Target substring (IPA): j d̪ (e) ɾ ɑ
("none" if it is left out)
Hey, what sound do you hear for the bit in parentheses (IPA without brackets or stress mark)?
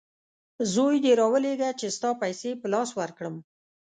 e